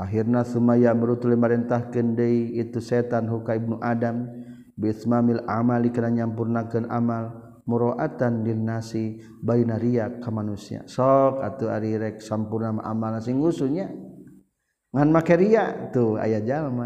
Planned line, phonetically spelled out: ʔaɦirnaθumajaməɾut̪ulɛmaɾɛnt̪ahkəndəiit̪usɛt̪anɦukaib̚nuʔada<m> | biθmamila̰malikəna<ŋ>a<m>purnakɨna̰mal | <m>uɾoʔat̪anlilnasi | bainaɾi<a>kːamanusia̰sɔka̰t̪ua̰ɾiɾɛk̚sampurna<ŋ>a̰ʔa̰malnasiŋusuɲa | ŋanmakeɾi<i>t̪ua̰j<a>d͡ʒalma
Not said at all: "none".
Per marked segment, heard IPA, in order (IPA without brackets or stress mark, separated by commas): m, ɲ, m, m, a, m, a, a